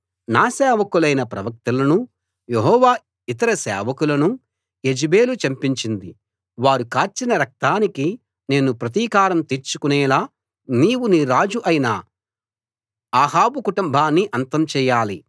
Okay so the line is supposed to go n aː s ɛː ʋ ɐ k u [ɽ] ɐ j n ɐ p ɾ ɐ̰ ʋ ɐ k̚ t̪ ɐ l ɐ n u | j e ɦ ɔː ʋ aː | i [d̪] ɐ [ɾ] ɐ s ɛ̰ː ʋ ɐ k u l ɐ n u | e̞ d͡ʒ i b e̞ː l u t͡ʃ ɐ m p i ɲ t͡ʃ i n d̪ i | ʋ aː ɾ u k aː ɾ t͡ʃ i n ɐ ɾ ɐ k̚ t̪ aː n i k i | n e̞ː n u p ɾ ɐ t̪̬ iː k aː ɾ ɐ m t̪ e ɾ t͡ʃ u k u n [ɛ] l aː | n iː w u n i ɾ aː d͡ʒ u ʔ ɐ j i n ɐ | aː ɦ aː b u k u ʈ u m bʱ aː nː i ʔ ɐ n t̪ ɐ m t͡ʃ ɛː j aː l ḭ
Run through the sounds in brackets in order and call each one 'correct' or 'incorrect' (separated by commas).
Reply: incorrect, incorrect, correct, incorrect